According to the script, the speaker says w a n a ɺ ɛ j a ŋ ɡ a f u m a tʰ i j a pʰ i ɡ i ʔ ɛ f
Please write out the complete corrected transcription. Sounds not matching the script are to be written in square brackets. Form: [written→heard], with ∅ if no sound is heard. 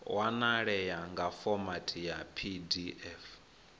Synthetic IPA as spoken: w a n a ɺ ɛ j a ŋ ɡ a f [u→ɔ] m a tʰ i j a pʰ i [ɡ→d] i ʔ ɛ f